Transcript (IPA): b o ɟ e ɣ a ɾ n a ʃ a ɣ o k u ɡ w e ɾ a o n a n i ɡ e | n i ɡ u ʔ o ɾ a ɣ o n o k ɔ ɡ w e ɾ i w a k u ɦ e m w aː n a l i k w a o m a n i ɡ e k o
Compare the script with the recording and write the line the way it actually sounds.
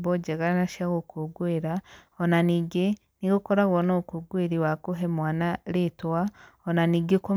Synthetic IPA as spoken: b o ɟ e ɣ a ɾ n a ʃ a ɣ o k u ɡ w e ɾ a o n a n i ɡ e | n i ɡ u k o ɾ a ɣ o n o k u ɡ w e ɾ i w a k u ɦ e m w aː n a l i t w a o n a n i ɡ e k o